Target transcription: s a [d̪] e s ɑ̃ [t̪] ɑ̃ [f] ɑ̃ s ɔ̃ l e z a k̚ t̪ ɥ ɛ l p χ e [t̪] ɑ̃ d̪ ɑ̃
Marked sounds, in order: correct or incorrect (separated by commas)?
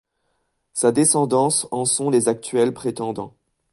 correct, incorrect, incorrect, correct